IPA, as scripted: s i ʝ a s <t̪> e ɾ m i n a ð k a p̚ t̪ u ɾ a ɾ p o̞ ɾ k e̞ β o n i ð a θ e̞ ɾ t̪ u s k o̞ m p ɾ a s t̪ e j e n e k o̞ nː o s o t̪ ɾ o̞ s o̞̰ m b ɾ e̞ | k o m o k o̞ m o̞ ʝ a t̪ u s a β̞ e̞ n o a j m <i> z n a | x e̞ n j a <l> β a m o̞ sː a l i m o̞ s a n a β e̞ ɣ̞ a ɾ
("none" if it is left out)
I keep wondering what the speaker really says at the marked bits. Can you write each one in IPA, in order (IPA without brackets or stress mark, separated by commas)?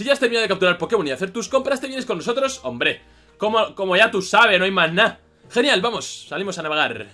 t̪, a, l